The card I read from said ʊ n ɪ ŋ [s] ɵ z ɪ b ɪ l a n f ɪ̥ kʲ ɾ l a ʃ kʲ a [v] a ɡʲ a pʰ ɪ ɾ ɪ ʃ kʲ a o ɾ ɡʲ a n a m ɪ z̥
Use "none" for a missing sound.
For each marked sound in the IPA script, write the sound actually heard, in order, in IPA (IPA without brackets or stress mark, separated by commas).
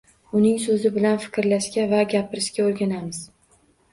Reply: s, v